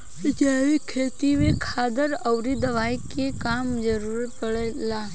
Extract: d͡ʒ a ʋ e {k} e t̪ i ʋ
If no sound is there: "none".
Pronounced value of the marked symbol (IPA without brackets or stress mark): kʰ